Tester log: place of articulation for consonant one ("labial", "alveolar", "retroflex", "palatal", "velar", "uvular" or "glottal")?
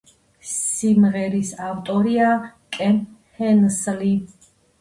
alveolar